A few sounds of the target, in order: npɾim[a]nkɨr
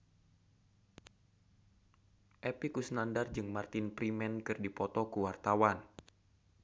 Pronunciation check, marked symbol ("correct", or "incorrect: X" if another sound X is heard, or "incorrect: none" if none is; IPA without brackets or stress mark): incorrect: ɛ